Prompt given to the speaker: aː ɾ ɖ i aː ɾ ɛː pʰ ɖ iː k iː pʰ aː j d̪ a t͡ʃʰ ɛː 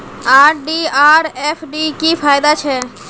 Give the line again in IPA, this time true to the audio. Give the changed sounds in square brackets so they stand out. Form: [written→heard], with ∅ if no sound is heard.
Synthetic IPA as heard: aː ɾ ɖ i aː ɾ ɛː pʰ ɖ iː k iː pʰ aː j d̪ a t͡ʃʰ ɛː